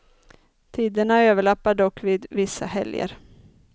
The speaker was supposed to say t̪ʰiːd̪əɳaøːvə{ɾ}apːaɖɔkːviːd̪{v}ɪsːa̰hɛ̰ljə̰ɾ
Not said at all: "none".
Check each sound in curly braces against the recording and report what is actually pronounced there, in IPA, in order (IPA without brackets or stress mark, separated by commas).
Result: ɭ, v